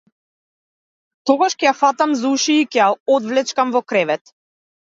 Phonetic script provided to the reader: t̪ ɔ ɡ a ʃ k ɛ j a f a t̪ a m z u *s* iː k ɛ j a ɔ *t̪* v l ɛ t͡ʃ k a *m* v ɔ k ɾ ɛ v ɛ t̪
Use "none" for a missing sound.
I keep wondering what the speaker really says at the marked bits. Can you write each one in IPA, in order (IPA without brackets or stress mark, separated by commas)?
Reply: ʃ, d̪, m